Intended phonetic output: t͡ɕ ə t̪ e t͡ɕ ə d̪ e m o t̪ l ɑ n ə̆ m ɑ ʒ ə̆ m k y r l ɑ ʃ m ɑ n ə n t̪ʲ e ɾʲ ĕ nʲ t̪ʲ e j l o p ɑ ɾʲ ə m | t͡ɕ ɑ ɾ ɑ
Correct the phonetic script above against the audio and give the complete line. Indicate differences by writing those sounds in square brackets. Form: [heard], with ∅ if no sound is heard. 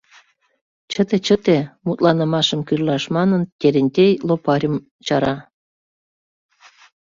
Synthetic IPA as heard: t͡ɕ ə t̪ e t͡ɕ ə [t̪] e m [u] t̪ l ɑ n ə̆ m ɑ [ʃ] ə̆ m k y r l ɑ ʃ m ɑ n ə n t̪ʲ e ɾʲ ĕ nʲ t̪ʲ e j l o p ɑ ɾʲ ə m | t͡ɕ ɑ ɾ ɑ